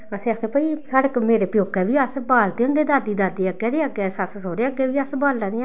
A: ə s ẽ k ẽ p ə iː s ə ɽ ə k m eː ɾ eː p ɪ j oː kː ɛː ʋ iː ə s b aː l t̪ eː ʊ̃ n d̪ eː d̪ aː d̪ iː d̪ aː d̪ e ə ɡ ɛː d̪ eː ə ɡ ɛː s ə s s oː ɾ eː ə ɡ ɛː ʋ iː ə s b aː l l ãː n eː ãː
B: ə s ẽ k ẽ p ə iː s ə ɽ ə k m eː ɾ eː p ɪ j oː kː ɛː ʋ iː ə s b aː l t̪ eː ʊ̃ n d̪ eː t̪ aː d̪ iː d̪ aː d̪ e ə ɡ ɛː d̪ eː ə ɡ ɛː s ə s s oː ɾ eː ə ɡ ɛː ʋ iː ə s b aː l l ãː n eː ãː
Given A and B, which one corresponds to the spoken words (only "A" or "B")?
A